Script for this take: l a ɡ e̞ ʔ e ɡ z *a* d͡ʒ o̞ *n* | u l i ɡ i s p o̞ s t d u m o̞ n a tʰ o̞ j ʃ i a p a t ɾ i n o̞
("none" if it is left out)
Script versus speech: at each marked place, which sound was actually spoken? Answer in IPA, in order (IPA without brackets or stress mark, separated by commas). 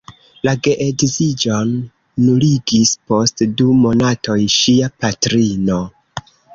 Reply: i, nː